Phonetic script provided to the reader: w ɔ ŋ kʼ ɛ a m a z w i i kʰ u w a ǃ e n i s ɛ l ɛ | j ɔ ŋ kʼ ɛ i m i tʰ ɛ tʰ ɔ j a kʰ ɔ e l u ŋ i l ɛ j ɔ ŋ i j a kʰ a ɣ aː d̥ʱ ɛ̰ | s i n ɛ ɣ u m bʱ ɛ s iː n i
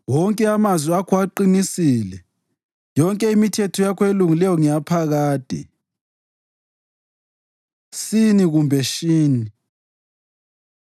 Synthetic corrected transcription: w ɔ ŋ kʼ ɛ a m a z w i a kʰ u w a ǃ i n i s i l ɛ | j ɔ ŋ kʼ ɛ i m i tʰ ɛ tʰ ɔ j a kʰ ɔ e l u ŋ i l ɛ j ɔ ŋ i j a pʰ a ɣ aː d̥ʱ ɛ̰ | s i n i ɣ u m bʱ ɛ ʃ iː n i